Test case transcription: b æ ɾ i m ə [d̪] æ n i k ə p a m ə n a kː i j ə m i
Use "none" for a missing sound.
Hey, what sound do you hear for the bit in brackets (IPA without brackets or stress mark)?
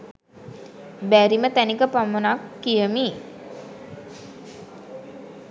t̪